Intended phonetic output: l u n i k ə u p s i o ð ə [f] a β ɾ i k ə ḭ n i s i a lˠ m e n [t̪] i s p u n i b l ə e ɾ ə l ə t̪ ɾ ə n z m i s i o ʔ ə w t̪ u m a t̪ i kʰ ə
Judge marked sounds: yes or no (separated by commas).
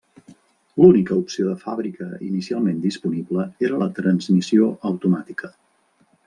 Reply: yes, no